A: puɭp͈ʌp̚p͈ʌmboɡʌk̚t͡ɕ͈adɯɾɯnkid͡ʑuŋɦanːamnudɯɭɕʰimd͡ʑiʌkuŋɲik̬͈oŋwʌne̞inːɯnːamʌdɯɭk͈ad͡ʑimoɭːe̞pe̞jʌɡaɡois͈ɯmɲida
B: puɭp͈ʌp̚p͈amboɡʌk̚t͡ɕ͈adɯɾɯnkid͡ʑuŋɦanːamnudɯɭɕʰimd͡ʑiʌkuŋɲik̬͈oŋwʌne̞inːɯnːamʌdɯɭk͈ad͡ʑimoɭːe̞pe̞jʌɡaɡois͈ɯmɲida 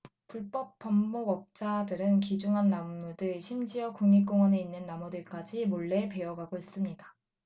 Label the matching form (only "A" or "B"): A